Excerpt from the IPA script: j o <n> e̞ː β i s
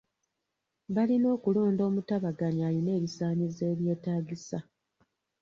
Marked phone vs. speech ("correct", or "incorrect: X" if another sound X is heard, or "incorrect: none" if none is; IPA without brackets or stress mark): correct